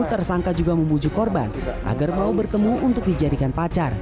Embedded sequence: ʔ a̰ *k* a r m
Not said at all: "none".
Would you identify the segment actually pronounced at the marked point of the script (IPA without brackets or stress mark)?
ɡ